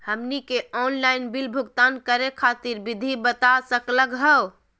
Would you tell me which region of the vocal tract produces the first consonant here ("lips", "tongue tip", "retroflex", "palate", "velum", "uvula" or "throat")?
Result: throat